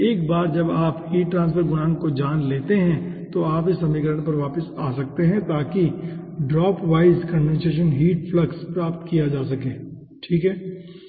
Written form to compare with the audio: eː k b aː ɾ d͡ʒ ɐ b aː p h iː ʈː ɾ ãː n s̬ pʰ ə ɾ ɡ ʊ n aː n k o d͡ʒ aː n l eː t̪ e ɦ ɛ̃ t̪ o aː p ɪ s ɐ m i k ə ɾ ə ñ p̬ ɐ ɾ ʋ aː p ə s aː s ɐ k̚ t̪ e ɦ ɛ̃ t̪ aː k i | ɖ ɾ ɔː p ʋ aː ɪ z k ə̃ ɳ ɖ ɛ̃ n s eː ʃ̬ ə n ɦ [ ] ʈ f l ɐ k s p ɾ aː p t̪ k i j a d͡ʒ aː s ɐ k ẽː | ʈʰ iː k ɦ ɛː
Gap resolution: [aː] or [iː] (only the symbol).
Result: iː